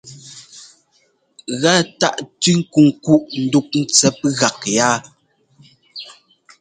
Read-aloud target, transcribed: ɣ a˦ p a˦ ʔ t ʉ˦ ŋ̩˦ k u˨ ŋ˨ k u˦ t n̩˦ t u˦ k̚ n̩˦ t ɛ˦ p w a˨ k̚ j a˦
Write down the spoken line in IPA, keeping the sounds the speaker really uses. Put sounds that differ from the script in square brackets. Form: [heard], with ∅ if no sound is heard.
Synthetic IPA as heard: ɣ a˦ [t] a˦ ʔ t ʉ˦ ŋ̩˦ k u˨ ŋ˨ k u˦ [ʔ] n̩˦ [d] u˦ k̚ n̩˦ [t͡s] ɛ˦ p [ɣ] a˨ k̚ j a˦